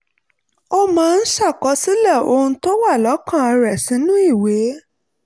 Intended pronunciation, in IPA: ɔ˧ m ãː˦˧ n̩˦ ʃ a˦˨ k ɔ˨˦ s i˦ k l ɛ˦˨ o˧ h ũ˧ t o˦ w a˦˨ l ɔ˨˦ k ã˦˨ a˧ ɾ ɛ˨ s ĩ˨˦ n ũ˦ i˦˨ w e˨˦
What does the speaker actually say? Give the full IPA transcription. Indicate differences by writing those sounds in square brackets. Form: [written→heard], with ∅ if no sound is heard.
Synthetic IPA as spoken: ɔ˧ m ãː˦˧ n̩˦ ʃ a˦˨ k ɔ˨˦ s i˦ [k→∅] l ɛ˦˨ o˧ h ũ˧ t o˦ w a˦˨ l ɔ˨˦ k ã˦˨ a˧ ɾ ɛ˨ s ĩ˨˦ n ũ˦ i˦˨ w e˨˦